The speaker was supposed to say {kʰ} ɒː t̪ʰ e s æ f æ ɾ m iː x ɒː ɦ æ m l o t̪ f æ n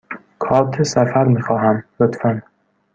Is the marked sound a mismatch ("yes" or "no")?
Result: no